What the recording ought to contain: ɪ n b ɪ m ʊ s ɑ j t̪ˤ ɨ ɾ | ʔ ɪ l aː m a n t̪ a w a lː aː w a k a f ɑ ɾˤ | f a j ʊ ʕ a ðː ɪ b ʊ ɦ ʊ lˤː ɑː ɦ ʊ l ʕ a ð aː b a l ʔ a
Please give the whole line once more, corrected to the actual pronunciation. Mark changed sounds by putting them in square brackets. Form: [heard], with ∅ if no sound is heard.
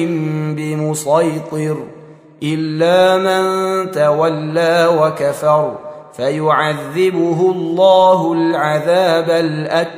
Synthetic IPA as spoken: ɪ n b ɪ m ʊ s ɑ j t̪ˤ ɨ ɾ | ʔ ɪ [lː] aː m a n t̪ a w a lː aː w a k a f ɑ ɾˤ | f a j ʊ ʕ a ðː ɪ b ʊ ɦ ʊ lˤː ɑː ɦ ʊ l ʕ a ð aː b a l ʔ a